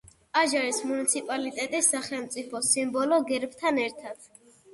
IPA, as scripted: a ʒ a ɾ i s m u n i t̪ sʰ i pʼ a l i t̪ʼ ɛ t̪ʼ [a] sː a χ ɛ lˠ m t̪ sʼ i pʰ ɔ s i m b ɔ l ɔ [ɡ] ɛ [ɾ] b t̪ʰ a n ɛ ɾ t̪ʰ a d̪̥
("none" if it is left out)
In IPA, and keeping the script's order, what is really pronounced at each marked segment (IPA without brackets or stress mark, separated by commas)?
i, ɡ, ɾ